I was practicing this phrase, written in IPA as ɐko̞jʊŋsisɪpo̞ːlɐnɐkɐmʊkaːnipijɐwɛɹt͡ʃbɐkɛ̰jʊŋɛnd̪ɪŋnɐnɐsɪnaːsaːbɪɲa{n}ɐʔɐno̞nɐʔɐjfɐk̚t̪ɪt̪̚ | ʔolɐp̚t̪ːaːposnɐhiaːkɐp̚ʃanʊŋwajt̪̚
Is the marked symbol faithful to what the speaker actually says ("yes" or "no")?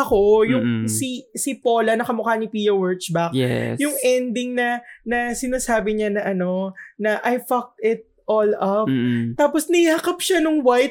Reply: yes